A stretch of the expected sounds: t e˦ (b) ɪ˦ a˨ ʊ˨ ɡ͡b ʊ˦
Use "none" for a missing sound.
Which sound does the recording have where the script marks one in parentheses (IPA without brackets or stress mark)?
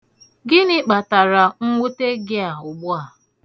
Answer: ɡ